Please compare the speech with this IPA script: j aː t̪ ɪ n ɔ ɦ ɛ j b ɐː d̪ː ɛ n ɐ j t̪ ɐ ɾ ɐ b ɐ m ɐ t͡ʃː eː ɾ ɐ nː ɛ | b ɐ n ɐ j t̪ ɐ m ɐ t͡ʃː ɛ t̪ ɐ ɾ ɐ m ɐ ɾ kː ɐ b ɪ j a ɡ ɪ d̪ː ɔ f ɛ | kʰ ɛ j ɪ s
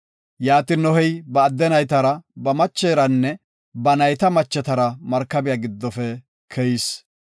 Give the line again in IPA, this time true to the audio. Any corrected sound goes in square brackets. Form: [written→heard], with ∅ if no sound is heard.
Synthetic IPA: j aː t̪ ɪ n ɔ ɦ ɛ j b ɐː d̪ː ɛ n ɐ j t̪ ɐ ɾ ɐ b ɐ m ɐ t͡ʃː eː ɾ ɐ nː ɛ | b ɐ n ɐ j t̪ ɐ m ɐ t͡ʃː ɛ t̪ ɐ ɾ ɐ m ɐ ɾ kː ɐ b ɪ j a ɡ ɪ d̪ː ɔ f ɛ | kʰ ɛ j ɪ s

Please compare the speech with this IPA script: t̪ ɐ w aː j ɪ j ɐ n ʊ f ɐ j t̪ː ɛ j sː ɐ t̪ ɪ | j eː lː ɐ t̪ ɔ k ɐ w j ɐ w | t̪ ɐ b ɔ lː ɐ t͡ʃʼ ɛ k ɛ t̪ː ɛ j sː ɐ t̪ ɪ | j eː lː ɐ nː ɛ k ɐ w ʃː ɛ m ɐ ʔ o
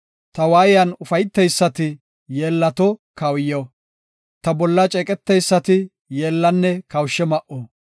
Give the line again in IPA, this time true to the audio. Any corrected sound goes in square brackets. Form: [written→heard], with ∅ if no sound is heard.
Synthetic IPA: t̪ ɐ w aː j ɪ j ɐ n ʊ f ɐ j t̪ː ɛ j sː ɐ t̪ ɪ | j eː lː ɐ t̪ ɔ k ɐ w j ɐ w | t̪ ɐ b ɔ lː ɐ t͡ʃʼ ɛ [k→kʼ] ɛ t̪ː ɛ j sː ɐ t̪ ɪ | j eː lː ɐ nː ɛ k ɐ w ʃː ɛ m ɐ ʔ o

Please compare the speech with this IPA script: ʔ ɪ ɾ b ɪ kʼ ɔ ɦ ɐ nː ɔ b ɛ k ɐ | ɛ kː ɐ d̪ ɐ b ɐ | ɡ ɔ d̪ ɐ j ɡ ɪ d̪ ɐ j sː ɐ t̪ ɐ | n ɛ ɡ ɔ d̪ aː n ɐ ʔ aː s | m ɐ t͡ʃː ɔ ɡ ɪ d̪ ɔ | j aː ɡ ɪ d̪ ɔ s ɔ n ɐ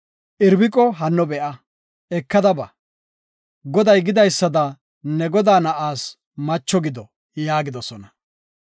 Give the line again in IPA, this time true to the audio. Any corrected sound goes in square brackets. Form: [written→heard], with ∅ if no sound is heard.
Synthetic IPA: ʔ ɪ ɾ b ɪ kʼ ɔ ɦ ɐ nː ɔ b ɛ [k→ʔ] ɐ | ɛ kː ɐ d̪ ɐ b ɐ | ɡ ɔ d̪ ɐ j ɡ ɪ d̪ ɐ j sː ɐ [t̪→d̪] ɐ | n ɛ ɡ ɔ d̪ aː n ɐ ʔ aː s | m ɐ t͡ʃː ɔ ɡ ɪ d̪ ɔ | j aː ɡ ɪ d̪ ɔ s ɔ n ɐ

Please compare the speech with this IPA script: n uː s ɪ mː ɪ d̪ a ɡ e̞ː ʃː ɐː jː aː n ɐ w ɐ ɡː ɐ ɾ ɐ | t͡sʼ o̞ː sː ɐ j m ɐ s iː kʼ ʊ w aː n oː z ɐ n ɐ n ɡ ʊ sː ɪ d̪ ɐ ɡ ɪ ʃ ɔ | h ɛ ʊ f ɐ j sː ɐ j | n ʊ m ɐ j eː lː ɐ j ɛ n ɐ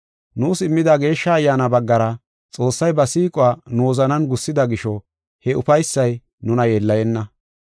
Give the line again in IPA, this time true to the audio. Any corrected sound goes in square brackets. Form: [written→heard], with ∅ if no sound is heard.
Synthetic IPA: n uː s ɪ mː ɪ d̪ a ɡ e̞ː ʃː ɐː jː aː n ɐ [w→b] ɐ ɡː ɐ ɾ ɐ | t͡sʼ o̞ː sː ɐ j [m→b] ɐ s iː kʼ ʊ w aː n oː z ɐ n ɐ n ɡ ʊ sː ɪ d̪ ɐ ɡ ɪ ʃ ɔ | h ɛ ʊ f ɐ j sː ɐ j | n ʊ [m→n] ɐ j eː lː ɐ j ɛ [n→nː] ɐ

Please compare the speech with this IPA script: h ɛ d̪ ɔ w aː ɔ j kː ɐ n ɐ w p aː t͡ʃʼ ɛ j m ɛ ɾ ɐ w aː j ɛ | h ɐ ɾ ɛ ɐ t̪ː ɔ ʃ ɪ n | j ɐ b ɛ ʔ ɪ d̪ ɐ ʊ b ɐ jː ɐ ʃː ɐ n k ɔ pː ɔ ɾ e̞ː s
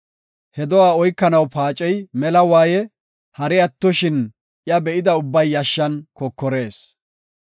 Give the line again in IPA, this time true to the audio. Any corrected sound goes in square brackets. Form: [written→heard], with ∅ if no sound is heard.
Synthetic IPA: h ɛ d̪ ɔ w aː ɔ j kː ɐ n ɐ w p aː t͡ʃʼ ɛ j m ɛ [ɾ→l] ɐ w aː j ɛ | h ɐ ɾ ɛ ɐ t̪ː ɔ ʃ ɪ n | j ɐ b ɛ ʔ ɪ d̪ ɐ ʊ [b→bː] ɐ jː ɐ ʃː ɐ n k ɔ [pː→kː] ɔ ɾ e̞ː s

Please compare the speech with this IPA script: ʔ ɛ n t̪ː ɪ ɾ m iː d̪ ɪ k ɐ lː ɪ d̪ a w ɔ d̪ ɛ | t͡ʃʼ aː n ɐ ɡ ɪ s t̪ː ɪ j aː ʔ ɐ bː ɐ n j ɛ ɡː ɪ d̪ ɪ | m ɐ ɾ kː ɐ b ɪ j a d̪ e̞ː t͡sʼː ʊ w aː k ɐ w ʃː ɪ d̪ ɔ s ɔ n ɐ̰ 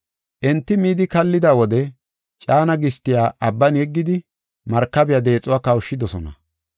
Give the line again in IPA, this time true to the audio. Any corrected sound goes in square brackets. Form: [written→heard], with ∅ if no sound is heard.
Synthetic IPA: ʔ ɛ n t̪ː ɪ [ɾ→∅] m iː d̪ ɪ k ɐ lː ɪ d̪ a w ɔ d̪ ɛ | t͡ʃʼ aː n ɐ ɡ ɪ s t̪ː ɪ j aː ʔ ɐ bː ɐ n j ɛ ɡː ɪ d̪ ɪ | m ɐ ɾ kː ɐ b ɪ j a d̪ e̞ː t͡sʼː ʊ w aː k ɐ w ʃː ɪ d̪ ɔ s ɔ n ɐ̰

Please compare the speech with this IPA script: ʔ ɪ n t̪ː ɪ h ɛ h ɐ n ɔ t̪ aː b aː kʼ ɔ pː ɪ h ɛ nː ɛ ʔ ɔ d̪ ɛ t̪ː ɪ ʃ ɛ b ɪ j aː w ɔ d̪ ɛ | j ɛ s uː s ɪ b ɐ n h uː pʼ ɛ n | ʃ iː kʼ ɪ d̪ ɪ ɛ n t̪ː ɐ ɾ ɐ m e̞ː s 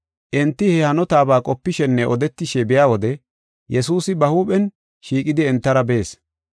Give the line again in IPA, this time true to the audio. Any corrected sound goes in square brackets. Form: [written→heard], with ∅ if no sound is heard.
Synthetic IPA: ʔ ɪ n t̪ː ɪ h ɛ h ɐ n ɔ t̪ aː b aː kʼ ɔ pː ɪ [h→ʃ] ɛ nː ɛ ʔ ɔ d̪ ɛ t̪ː ɪ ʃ ɛ b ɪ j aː w ɔ d̪ ɛ | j ɛ s uː s ɪ b ɐ [n→∅] h uː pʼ ɛ n | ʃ iː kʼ ɪ d̪ ɪ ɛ n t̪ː ɐ ɾ ɐ [m→b] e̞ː s

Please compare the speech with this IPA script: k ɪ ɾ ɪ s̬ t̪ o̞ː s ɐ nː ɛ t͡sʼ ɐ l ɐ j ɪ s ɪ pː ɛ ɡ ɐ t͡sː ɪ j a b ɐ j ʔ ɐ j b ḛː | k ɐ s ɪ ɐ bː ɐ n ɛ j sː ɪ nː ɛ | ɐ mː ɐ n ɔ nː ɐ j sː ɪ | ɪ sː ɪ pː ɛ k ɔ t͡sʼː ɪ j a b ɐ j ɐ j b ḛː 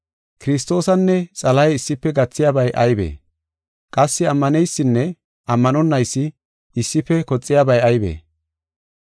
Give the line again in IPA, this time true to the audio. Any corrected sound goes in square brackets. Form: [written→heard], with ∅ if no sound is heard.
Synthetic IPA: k ɪ ɾ ɪ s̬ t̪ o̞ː s ɐ nː ɛ t͡sʼ ɐ l ɐ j ɪ [s→sː] ɪ pː ɛ ɡ ɐ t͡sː ɪ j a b ɐ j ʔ ɐ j b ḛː | [k→kʼ] ɐ [s→sː] ɪ ɐ [bː→mː] ɐ n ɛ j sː ɪ nː ɛ | ɐ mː ɐ n ɔ nː ɐ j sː ɪ | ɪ sː ɪ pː ɛ k ɔ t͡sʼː ɪ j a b ɐ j ɐ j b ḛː

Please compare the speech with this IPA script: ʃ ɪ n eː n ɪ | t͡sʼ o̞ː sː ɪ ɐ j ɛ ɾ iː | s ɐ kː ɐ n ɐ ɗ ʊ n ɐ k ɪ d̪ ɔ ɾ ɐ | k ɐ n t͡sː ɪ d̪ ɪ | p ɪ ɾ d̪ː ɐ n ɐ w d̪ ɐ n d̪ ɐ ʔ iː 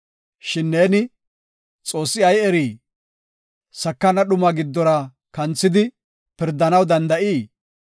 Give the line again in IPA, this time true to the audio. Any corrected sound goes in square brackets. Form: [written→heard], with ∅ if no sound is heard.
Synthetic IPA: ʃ ɪ [n→nː] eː n ɪ | t͡sʼ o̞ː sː ɪ ɐ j ɛ ɾ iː | s ɐ kː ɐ n ɐ ɗ ʊ [n→m] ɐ [k→ɡ] ɪ [d̪→d̪ː] ɔ ɾ ɐ | k ɐ n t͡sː ɪ d̪ ɪ | p ɪ ɾ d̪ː ɐ n ɐ w d̪ ɐ n d̪ ɐ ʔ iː

